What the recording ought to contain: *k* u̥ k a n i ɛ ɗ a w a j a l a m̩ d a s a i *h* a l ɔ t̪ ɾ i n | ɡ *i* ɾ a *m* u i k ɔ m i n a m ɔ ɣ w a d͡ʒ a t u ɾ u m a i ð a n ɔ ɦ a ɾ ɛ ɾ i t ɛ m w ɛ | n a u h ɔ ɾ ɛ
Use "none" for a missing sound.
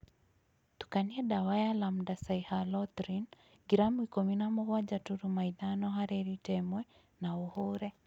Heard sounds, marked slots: t, h, i, m

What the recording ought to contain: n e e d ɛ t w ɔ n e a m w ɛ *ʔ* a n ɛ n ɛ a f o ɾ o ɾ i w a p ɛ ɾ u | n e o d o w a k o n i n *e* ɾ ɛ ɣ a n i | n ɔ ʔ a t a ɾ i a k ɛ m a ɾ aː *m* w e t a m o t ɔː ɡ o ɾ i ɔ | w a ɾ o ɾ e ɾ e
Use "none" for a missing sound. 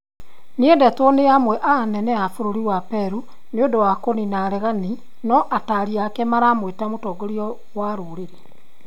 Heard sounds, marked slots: ʔ, a, m

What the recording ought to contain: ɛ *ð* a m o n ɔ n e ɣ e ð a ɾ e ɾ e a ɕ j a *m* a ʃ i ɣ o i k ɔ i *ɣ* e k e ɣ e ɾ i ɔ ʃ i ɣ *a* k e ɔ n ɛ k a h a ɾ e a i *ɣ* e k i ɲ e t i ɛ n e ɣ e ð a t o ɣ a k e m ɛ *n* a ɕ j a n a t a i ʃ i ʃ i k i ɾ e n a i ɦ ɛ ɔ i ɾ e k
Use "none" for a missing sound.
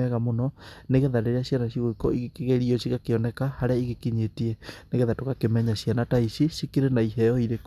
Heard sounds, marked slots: ɣ, n, ɣ, a, ɣ, ɲ

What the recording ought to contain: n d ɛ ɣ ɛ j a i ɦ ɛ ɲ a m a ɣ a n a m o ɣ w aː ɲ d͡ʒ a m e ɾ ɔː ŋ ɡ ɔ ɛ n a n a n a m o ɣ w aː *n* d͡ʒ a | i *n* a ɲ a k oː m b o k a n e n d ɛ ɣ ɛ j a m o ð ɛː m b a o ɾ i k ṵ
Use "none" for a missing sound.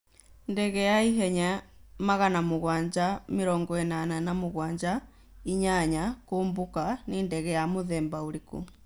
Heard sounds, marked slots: ɲ, ɲ

